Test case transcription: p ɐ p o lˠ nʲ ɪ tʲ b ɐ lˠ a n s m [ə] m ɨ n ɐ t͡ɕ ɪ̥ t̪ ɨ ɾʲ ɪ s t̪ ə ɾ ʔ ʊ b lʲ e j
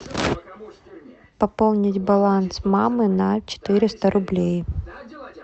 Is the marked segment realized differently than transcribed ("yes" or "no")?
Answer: yes